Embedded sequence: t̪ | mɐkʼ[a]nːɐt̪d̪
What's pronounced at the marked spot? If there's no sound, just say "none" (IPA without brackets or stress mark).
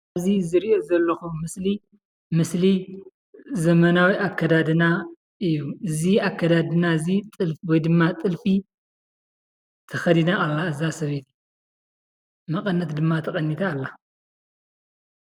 ɐ